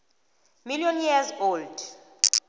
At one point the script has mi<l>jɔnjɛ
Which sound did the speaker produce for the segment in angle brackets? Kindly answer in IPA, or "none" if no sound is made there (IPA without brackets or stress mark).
l